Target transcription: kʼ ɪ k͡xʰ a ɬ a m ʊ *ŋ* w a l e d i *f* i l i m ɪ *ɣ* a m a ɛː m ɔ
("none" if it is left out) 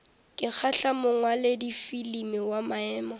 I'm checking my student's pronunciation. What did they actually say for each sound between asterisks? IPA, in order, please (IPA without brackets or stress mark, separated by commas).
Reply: ŋ, f, w